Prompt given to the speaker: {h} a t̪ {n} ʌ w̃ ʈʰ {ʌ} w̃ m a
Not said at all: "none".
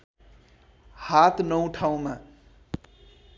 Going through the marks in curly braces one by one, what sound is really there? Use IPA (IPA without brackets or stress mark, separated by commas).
h, n, a